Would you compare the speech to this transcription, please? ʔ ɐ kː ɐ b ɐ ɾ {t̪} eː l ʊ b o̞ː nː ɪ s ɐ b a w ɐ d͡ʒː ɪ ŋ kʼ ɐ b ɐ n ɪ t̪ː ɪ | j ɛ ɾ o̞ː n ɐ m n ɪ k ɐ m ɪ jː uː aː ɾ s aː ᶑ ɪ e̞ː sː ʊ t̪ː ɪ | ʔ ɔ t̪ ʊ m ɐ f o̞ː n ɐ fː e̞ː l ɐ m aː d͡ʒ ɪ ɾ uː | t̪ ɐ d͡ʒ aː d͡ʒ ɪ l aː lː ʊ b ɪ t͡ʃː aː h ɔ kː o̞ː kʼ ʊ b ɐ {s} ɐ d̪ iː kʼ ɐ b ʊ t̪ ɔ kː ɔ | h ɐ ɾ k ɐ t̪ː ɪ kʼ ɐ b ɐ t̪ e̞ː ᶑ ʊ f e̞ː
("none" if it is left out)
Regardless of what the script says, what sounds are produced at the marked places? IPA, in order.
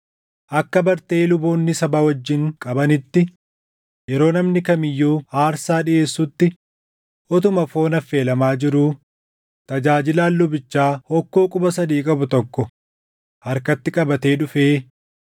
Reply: t̪, s

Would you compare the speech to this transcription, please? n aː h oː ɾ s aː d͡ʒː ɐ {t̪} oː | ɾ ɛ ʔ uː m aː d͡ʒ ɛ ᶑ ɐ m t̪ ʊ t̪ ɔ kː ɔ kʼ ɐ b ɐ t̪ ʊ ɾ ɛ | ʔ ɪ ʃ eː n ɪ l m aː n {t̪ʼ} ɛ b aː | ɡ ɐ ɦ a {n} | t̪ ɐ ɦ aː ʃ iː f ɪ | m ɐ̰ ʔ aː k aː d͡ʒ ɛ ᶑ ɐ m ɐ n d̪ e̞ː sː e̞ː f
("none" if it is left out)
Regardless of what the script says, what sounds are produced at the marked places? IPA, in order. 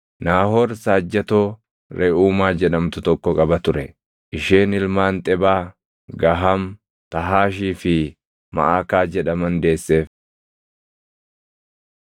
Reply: t̪, t̪ʼ, m

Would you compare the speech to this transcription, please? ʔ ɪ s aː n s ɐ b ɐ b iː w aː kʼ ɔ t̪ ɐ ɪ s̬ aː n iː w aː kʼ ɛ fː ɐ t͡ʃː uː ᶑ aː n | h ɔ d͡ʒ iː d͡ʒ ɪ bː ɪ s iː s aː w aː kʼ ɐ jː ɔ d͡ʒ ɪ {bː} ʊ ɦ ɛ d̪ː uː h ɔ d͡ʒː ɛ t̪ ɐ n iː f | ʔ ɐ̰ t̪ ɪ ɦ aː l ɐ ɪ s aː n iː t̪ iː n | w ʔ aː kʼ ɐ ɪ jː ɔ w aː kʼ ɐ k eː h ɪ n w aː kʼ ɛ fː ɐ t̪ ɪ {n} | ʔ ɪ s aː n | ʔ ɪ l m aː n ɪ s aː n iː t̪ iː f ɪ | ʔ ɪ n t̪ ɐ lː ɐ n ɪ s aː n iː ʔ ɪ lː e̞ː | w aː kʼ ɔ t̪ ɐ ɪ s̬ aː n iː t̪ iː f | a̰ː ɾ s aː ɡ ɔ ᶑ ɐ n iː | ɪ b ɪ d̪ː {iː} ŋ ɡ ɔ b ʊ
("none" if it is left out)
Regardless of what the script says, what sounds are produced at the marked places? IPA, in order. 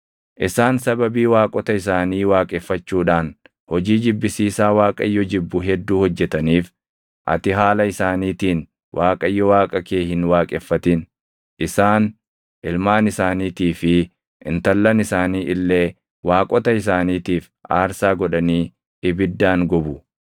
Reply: bː, n, aː

